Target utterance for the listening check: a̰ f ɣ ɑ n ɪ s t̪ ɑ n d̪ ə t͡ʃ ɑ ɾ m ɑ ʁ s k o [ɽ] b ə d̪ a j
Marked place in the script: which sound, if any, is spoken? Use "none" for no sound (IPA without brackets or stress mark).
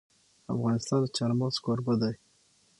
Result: ɾ